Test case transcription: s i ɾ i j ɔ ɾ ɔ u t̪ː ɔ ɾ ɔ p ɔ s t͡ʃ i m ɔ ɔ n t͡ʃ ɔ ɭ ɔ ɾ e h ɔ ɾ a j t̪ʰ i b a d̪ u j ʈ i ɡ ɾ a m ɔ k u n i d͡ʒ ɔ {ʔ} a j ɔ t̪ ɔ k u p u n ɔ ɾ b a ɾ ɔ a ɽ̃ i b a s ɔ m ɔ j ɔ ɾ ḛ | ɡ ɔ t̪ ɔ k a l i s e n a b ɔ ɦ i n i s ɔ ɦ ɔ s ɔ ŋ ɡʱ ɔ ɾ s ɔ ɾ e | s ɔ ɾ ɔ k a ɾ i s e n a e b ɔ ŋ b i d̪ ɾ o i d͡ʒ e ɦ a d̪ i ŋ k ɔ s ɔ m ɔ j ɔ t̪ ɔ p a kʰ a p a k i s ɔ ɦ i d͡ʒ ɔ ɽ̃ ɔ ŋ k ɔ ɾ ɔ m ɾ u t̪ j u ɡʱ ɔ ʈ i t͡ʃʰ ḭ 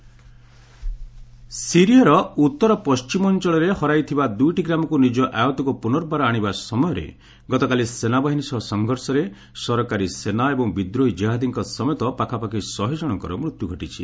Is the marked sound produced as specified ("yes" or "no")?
yes